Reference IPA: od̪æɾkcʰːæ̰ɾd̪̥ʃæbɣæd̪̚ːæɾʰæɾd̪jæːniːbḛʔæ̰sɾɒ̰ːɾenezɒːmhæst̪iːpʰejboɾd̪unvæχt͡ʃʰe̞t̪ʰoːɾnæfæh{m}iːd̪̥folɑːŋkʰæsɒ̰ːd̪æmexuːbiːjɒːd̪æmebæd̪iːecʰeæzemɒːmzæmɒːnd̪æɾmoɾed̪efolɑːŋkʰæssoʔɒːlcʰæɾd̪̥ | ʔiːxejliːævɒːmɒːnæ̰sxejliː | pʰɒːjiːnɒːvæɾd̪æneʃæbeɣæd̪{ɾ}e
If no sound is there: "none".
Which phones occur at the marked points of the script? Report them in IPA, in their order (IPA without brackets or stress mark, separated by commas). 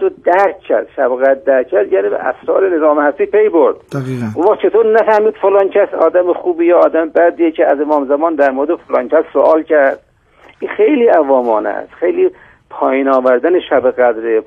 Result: m, ɾ